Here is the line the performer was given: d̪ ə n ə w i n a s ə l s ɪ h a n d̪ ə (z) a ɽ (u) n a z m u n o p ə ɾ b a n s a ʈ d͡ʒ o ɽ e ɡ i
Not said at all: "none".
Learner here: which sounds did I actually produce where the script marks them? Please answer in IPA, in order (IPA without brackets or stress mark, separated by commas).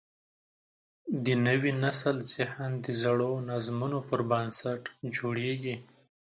z, o